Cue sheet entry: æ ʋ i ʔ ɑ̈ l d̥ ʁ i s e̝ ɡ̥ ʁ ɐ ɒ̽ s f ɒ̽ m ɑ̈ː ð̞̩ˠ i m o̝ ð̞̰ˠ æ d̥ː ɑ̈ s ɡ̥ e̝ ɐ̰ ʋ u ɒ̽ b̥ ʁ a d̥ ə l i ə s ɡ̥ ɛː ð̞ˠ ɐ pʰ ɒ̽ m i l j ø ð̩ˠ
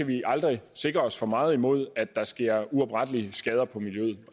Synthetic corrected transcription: æ ʋ i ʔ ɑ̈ l d̥ ʁ i s e̝ ɡ̥ ʁ ɐ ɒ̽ s f ɒ̽ m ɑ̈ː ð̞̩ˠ i m o̝ ð̞̰ˠ æ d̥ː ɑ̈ s ɡ̥ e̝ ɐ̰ u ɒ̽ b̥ ʁ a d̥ ə l i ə s ɡ̥ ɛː ð̞ˠ ɐ pʰ ɒ̽ m i l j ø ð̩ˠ